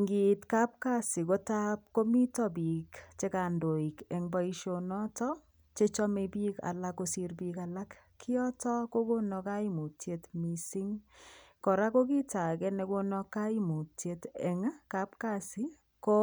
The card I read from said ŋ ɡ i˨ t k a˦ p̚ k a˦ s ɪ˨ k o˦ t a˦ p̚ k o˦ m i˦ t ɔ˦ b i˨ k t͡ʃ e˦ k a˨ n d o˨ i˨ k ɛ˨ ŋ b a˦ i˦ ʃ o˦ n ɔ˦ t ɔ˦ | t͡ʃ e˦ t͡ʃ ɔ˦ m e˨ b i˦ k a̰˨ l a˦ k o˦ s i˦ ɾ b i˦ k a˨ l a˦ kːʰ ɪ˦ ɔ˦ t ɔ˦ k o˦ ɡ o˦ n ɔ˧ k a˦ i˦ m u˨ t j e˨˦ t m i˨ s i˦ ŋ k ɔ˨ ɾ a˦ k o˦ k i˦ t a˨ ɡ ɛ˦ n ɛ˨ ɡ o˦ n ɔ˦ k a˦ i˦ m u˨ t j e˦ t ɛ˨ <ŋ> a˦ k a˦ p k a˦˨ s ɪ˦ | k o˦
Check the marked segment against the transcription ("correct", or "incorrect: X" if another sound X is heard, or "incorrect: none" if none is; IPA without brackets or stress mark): correct